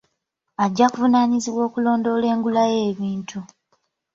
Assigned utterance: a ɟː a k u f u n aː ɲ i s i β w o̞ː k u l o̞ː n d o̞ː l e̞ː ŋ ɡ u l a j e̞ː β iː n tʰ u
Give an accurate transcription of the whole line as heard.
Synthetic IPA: a ɟː a k u v u n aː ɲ i z i β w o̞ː k u l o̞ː n d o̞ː l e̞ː ŋ ɡ u l a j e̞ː β iː n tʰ u